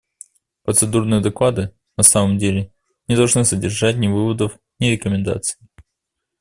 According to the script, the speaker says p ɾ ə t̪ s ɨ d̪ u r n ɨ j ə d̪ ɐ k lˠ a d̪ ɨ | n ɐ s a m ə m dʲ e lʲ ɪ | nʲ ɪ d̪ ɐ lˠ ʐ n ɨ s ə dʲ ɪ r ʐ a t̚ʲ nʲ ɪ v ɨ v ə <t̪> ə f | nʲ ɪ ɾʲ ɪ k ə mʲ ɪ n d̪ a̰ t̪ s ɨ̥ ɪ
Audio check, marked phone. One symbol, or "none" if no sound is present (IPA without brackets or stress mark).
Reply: d̪